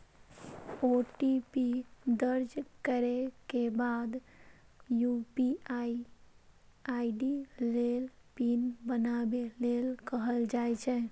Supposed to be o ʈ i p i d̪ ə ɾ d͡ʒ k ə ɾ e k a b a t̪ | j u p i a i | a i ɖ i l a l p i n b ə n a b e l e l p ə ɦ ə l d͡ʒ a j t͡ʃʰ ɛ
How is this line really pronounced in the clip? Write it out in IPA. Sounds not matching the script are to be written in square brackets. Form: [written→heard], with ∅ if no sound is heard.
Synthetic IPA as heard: o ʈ i p i d̪ ə ɾ d͡ʒ k ə ɾ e k [a→e] b a [t̪→d̪] | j u p i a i | a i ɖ i l [a→e] l p i n b ə n a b e l e l [p→k] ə ɦ ə l d͡ʒ a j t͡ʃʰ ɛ

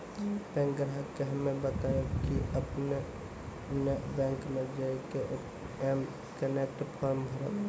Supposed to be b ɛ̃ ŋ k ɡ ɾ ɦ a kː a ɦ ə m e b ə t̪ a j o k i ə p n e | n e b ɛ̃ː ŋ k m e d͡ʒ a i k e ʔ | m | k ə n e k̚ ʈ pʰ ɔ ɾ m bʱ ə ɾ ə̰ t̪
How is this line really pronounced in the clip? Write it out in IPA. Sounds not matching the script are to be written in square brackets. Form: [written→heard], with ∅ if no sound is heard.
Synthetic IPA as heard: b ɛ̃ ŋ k ɡ ɾ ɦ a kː [a→e] ɦ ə m e b ə t̪ a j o k i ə p n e | n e b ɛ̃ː ŋ k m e d͡ʒ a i k e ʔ | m | k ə n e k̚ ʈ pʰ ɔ ɾ m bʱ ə ɾ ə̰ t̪

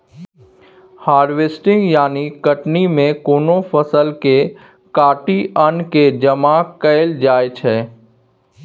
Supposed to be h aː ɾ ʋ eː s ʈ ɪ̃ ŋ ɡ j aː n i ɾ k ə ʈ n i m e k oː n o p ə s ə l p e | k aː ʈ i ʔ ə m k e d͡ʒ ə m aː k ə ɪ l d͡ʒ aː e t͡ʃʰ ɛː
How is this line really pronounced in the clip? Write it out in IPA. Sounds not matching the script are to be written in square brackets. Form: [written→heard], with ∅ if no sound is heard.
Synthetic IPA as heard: h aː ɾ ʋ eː s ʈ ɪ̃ ŋ ɡ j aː n i [ɾ→∅] k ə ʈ n i m [e→ẽ] k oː n o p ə s ə l [p→k] e | k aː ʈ i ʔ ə [m→n] k e d͡ʒ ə m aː k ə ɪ l d͡ʒ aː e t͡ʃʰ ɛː

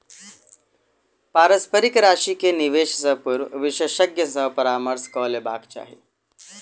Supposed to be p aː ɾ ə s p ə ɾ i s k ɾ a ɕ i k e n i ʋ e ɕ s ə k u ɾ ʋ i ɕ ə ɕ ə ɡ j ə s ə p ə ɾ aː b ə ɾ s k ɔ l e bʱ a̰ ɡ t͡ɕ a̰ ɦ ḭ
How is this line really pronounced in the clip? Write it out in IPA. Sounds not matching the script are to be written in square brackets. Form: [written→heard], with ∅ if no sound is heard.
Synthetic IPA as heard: p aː ɾ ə s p ə ɾ i [s→∅] k ɾ a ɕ i k e n i ʋ e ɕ s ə [k→p] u ɾ ʋ i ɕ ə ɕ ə ɡ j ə s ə p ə ɾ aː [b→m] ə ɾ s k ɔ l e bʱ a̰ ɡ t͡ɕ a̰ ɦ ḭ

